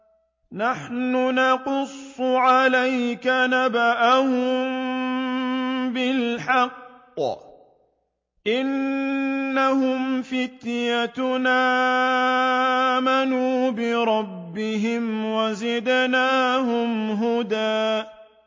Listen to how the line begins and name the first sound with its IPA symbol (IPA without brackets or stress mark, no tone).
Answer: n